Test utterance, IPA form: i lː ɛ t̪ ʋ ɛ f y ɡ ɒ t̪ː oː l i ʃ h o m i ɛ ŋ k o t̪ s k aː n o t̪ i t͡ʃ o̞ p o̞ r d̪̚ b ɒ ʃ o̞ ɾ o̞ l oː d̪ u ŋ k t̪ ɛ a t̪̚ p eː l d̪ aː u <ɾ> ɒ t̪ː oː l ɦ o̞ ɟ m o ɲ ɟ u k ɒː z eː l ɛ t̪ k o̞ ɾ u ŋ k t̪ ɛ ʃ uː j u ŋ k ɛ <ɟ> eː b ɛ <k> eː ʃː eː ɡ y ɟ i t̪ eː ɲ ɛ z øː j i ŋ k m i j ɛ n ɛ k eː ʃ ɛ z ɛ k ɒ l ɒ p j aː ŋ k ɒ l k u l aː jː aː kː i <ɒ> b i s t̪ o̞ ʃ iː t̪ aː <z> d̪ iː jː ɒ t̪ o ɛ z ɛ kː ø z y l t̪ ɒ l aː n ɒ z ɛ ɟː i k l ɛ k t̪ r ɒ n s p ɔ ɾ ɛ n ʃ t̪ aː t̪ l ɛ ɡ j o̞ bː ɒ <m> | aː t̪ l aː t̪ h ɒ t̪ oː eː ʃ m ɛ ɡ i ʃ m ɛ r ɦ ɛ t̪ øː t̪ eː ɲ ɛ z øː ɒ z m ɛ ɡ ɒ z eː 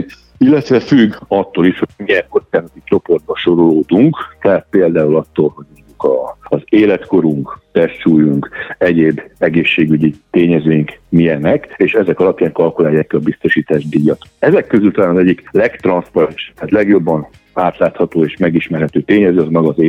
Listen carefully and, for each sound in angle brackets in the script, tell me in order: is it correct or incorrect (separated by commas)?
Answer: incorrect, correct, incorrect, correct, incorrect, incorrect